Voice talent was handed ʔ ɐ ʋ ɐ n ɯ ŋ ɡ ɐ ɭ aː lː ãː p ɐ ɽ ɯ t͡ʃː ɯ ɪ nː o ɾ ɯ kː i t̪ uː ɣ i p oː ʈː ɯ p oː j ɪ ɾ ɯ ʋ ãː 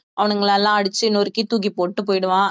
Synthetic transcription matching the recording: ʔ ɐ ʋ ɐ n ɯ ŋ ɡ ɐ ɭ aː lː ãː ɐ ɽ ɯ t͡ʃː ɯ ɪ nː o ɾ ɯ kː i t̪ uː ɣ i p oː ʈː ɯ p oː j ɪ ɽ ɯ ʋ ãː

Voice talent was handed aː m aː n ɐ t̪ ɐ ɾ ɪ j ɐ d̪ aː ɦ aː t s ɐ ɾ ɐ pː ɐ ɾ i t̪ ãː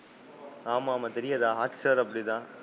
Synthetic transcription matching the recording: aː m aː m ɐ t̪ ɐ ɾ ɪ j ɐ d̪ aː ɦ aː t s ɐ ɾ ɐ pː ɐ ɽ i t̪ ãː

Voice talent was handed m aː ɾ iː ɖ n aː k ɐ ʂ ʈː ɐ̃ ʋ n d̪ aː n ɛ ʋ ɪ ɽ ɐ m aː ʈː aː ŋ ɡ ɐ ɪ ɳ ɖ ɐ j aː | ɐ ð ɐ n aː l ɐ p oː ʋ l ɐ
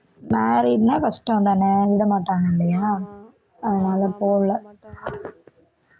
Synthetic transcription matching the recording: m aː ɾ iː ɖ n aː k ɐ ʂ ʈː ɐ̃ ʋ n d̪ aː n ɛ ʋ ɪ ɽ ɐ m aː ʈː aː ŋ ɡ ɐ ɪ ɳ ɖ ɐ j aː | ɐ ð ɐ n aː l ɐ p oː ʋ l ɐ

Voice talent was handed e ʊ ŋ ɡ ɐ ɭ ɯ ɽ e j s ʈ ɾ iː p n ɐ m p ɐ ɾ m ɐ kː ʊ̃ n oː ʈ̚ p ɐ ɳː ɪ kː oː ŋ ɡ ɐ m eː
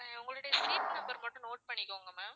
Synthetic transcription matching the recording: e ʊ ŋ ɡ ɐ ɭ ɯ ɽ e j s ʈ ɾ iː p n ɐ m b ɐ ɾ m ɐ ʈː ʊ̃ n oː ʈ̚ p ɐ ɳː ɪ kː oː ŋ ɡ ɐ m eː

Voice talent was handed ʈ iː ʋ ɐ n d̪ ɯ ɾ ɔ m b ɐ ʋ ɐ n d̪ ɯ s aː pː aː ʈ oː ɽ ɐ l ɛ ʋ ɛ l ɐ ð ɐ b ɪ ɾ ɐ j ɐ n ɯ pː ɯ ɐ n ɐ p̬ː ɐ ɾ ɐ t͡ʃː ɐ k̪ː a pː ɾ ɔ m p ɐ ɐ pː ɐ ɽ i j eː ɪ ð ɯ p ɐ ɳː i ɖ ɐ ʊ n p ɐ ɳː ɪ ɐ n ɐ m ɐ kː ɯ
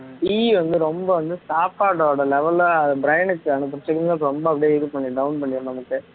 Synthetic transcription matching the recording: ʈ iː ʋ ɐ n d̪ ɯ ɾ ɔ m b ɐ ʋ ɐ n d̪ ɯ s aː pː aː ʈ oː ɽ ɐ l ɛ ʋ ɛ l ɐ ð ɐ b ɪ ɾ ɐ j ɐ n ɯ kː ɯ ɐ n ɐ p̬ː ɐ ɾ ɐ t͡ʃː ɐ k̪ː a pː ɾ ɔ m b ɐ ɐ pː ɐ ɽ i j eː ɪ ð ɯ p ɐ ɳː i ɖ ɐ ʊ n p ɐ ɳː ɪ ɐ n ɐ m ɐ kː ɯ

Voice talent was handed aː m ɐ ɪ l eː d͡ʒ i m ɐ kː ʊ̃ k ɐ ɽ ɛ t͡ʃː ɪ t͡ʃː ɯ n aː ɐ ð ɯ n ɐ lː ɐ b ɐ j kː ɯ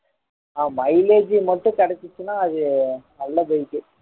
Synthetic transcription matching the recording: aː m ɐ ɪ l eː d͡ʒ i m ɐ ʈː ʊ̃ k ɐ ɽ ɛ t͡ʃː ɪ t͡ʃː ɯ n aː ɐ ð ɯ n ɐ lː ɐ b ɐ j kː ɯ

